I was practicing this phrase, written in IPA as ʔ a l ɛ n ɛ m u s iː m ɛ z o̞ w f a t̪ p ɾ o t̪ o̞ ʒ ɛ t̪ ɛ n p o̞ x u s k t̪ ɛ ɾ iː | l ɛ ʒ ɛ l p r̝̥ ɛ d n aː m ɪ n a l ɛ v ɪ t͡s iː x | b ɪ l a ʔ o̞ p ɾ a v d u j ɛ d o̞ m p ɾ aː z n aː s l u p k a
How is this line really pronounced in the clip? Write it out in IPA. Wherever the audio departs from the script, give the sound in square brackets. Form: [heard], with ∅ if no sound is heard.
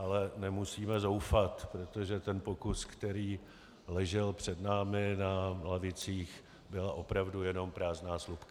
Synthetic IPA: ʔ a l ɛ n ɛ m u s iː m ɛ z o̞ w f a t̪ p ɾ o t̪ o̞ ʒ ɛ t̪ ɛ n p o̞ [k] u s k t̪ ɛ ɾ iː | l ɛ ʒ ɛ l p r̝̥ ɛ d n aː m ɪ n a l [a] v ɪ t͡s iː x | b ɪ l a ʔ o̞ p ɾ a v d u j ɛ [n] o̞ m p ɾ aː z n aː s l u p k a